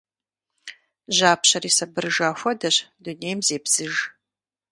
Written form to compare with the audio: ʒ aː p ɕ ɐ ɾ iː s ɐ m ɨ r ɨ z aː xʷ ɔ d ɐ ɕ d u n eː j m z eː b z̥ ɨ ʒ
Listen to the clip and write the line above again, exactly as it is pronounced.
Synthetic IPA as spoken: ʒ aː p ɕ ɐ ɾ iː s ɐ b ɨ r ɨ ʒ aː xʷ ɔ d ɐ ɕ d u n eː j m z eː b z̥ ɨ ʒ